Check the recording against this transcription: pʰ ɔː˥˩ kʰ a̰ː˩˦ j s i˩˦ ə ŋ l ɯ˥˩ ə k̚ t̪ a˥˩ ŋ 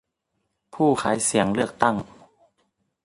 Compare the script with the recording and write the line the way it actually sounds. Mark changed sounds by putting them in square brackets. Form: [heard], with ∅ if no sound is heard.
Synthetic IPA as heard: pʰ [uː˥˩] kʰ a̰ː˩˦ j s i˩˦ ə ŋ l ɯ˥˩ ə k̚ t̪ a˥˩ ŋ